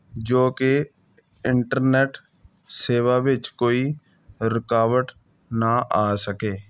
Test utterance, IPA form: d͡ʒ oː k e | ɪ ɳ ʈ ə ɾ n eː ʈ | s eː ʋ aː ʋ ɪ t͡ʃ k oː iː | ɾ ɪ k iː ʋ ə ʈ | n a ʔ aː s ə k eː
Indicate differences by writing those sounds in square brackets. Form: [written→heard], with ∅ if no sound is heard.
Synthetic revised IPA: d͡ʒ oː k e | ɪ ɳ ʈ ə ɾ n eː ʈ | s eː ʋ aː ʋ ɪ t͡ʃ k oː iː | ɾ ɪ k [iː→aː] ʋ ə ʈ | n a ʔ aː s ə k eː